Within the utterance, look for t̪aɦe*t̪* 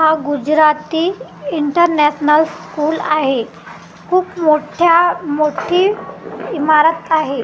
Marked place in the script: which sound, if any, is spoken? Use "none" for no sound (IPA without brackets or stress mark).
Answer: none